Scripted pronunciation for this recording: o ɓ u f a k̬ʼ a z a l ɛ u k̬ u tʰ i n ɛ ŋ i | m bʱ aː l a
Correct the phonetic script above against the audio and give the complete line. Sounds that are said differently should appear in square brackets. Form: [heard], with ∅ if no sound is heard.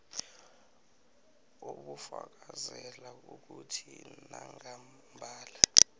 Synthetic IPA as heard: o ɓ u f a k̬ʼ a z [ɛ] l [a] u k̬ u tʰ i n [a] ŋ [a] | m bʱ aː l a